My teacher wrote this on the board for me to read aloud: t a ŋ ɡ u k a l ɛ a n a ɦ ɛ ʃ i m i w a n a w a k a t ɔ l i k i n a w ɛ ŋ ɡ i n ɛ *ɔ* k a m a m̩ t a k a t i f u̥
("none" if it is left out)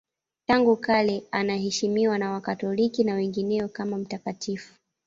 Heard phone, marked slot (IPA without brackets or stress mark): ɔ